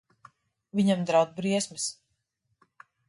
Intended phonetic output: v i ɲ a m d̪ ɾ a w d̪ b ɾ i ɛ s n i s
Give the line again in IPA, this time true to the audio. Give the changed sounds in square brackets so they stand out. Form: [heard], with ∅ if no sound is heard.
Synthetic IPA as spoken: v i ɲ a m d̪ ɾ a w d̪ b ɾ i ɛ s [m] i s